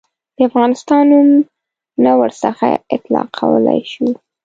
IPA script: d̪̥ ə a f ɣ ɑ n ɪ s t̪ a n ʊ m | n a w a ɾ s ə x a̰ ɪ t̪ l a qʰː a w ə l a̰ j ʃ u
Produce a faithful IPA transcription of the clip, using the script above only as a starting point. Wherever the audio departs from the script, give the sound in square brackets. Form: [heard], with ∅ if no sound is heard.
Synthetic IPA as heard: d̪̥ ə a f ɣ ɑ n ɪ s t̪ [ɑ] n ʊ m | n a w [ə] ɾ s ə x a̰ ɪ t̪ l [ɑ] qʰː a w ə l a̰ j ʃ u